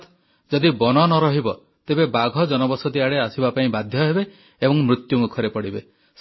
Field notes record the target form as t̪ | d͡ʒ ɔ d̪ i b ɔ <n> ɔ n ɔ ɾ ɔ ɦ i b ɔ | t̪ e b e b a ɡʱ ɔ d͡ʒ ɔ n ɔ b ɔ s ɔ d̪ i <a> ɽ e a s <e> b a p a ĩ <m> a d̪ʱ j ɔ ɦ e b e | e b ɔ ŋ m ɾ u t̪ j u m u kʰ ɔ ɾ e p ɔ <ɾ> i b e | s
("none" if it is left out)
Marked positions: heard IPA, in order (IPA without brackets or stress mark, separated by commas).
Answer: n, a, i, b, ɽ